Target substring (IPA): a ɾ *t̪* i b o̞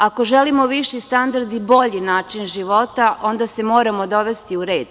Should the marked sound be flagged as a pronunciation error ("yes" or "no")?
yes